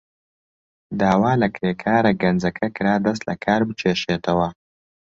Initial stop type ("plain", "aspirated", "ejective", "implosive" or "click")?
plain